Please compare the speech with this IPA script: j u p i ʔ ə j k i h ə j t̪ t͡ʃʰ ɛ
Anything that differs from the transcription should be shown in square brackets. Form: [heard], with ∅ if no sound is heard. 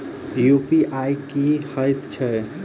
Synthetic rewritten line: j u p i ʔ [a] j k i h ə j t̪ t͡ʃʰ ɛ

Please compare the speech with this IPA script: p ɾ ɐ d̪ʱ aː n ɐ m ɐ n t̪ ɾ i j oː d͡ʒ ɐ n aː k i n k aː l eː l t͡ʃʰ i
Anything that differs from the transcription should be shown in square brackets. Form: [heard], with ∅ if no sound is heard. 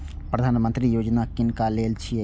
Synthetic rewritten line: p ɾ ɐ d̪ʱ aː n ɐ m ɐ n t̪ ɾ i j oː d͡ʒ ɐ n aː k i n k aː l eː l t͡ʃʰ i

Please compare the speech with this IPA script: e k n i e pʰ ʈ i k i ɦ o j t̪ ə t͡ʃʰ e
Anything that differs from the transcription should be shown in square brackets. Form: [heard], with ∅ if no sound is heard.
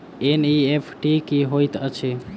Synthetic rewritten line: e [∅] n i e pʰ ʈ i k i ɦ o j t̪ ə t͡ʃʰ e

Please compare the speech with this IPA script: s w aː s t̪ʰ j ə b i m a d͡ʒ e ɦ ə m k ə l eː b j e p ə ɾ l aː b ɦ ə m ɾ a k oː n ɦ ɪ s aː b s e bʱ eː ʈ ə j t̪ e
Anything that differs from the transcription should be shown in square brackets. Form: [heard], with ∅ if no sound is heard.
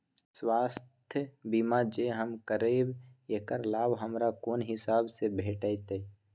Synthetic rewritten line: s w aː s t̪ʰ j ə b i m a d͡ʒ e ɦ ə m k ə [ɾ] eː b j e [k] ə ɾ l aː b ɦ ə m ɾ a k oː n ɦ ɪ s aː b s e bʱ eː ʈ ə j t̪ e

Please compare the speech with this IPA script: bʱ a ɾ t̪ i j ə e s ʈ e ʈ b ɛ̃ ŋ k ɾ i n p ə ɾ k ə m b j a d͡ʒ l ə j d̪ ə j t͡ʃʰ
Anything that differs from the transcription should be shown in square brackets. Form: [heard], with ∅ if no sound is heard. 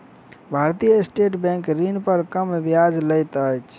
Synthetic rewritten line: bʱ a ɾ t̪ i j ə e s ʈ e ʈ b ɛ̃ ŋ k ɾ i n p ə ɾ k ə m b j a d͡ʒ l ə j [t̪] ə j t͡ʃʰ

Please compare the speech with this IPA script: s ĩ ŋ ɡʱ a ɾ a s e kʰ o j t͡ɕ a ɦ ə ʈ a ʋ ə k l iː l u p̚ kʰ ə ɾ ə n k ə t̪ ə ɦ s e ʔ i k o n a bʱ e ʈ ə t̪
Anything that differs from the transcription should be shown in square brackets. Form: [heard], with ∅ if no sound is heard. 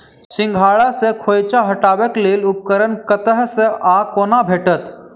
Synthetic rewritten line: s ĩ ŋ ɡʱ a [ɭ] a s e kʰ o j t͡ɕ a ɦ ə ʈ a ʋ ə k l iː l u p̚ [k] ə ɾ ə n k ə t̪ ə ɦ s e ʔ [a] k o n a bʱ e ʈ ə t̪

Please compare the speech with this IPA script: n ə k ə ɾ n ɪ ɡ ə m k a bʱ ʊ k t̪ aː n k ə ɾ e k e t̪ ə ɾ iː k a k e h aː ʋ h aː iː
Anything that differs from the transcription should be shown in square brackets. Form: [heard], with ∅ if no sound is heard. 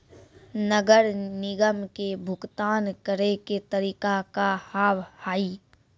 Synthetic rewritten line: n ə [ɡ] ə ɾ n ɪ ɡ ə m k [e] bʱ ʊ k t̪ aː n k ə ɾ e k e t̪ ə ɾ iː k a k [a] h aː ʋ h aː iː

